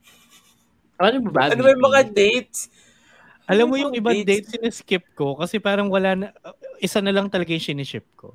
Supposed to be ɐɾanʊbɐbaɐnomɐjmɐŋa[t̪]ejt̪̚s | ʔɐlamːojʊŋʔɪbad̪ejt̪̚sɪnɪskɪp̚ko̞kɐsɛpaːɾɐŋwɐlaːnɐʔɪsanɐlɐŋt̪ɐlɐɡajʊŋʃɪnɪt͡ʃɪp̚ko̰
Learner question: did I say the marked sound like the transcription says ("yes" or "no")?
no